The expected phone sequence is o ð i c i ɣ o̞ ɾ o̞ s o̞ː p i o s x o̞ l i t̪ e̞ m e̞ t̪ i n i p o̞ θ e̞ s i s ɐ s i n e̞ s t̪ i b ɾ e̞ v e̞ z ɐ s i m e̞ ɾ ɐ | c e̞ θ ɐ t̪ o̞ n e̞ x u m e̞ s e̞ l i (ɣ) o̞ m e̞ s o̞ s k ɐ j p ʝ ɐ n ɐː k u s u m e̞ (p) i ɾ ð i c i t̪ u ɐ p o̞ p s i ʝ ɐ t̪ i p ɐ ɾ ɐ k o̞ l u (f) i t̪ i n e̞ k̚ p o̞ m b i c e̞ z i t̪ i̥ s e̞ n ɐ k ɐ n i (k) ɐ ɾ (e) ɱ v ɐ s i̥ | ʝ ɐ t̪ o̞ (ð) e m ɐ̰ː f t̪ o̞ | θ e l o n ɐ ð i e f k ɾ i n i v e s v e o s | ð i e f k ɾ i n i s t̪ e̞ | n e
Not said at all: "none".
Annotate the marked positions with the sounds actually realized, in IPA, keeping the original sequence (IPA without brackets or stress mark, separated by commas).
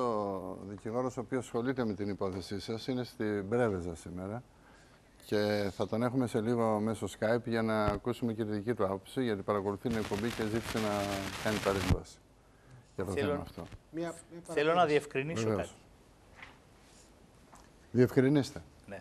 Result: ɣ, c, θ, p, e, θ